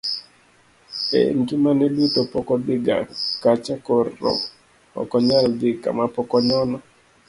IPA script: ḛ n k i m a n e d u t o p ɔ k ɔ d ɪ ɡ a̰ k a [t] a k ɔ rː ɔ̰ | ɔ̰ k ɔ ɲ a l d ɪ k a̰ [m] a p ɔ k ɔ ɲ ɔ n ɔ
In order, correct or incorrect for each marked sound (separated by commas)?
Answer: incorrect, correct